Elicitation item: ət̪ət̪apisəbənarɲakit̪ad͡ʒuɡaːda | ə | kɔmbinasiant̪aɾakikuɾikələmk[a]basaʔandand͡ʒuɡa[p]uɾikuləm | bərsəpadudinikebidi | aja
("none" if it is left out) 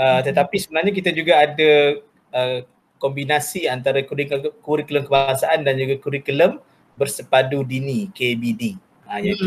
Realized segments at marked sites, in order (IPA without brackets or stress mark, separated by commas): ə, k